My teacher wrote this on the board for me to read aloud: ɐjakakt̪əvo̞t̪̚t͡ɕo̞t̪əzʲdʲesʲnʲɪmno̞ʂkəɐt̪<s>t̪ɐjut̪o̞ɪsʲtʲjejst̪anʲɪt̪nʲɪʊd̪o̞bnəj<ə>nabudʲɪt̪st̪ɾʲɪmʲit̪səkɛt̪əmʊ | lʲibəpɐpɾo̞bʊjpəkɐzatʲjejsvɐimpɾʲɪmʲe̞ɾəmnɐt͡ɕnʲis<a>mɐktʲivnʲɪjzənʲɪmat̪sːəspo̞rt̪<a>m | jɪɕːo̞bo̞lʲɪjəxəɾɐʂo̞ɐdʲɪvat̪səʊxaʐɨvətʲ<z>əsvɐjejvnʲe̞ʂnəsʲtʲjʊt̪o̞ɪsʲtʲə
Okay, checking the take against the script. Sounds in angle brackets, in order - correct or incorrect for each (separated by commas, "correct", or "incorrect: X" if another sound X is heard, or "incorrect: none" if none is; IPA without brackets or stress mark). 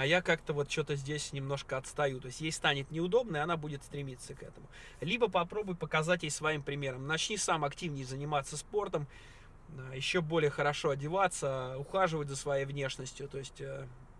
correct, incorrect: ɐ, correct, incorrect: ə, correct